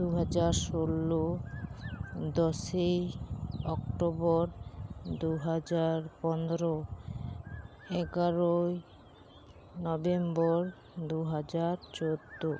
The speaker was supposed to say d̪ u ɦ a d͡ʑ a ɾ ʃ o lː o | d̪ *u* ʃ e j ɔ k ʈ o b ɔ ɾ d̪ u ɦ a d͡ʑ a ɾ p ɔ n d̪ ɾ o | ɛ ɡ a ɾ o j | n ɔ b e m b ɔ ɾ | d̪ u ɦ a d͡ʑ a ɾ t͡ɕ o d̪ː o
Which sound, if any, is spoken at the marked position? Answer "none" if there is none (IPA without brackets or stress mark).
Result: ɔ